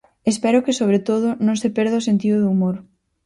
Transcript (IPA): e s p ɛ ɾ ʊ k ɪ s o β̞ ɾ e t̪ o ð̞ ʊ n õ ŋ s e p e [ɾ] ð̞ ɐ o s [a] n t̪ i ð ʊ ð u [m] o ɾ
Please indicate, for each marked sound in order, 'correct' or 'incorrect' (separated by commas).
correct, incorrect, correct